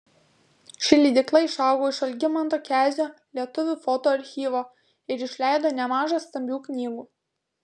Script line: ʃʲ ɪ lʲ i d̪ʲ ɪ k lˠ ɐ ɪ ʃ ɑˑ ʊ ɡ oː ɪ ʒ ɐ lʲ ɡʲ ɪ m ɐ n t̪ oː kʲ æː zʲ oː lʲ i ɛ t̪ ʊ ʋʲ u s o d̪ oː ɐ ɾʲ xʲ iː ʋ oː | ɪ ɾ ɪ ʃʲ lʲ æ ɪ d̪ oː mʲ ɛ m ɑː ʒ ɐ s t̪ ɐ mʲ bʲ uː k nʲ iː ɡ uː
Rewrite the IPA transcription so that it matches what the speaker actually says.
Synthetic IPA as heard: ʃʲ ɪ lʲ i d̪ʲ ɪ k lˠ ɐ ɪ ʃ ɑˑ ʊ ɡ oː ɪ ʃ ɐ lʲ ɡʲ ɪ m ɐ n t̪ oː kʲ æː zʲ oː lʲ i ɛ t̪ ʊ ʋʲ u f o t̪ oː ɐ ɾʲ xʲ iː ʋ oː | ɪ ɾ ɪ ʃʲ lʲ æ ɪ d̪ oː nʲ ɛ m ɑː ʒ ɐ s t̪ ɐ mʲ bʲ uː k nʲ iː ɡ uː